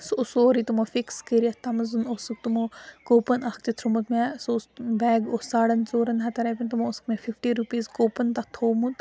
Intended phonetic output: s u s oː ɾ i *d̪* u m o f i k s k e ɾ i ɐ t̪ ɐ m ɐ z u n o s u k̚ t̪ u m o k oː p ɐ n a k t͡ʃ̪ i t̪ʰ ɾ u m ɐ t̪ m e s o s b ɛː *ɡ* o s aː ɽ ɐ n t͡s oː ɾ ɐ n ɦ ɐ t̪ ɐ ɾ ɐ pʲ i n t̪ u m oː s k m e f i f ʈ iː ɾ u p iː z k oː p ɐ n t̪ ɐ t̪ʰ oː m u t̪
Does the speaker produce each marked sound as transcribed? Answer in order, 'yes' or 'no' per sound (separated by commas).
no, yes